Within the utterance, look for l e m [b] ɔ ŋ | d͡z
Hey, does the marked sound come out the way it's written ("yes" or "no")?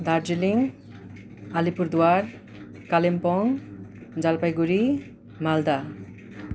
no